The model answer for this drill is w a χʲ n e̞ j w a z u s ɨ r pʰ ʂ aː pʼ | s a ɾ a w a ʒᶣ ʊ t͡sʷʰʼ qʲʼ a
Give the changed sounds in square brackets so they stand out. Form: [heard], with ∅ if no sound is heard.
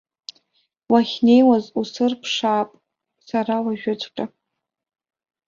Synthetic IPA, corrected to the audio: w a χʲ n e̞ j w a z u s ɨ r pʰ ʂ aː pʼ | s a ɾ a w a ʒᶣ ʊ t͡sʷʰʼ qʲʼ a

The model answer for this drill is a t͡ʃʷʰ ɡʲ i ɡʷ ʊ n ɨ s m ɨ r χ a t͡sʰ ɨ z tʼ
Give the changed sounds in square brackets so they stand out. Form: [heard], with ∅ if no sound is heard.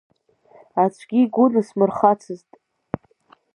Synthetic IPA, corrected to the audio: a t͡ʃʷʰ ɡʲ i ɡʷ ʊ n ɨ s m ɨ r χ a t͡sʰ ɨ z tʼ

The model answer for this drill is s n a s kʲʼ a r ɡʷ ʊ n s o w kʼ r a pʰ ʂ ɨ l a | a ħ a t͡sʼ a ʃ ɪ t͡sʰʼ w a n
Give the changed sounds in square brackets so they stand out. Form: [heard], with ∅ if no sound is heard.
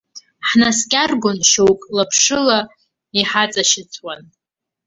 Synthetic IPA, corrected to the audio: [ħ] n a s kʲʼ a r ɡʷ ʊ n [ʃ] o w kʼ [l] a pʰ ʂ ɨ l a | [i] ħ a t͡sʼ a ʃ ɪ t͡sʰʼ w a n

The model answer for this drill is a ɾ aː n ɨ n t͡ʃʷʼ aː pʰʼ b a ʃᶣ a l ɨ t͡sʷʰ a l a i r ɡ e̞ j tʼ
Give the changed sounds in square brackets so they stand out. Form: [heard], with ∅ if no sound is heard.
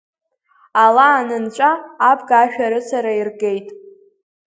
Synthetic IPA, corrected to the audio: a [l] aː n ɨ n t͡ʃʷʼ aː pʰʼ [ɡ] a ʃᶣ a [ɾ] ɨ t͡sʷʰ a [ɾ] a i r ɡ e̞ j tʼ

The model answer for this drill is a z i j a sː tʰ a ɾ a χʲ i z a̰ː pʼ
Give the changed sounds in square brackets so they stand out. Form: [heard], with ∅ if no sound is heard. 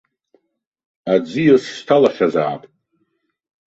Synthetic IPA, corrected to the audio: a [d͡z] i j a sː tʰ a [l] a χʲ [a] z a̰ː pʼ

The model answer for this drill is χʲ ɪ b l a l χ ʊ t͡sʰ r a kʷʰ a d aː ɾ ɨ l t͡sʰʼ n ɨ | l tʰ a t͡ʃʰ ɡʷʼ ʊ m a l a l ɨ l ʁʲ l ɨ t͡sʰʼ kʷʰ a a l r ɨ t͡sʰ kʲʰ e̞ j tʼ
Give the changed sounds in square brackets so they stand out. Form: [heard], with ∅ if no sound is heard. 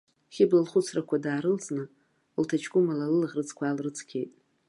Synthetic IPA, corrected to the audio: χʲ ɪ b l a l χ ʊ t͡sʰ r a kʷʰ a d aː ɾ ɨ l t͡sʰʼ n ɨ | l tʰ a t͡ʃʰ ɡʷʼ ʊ m a l a l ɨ l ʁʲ [r] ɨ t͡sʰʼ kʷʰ a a l r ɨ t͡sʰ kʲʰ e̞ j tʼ

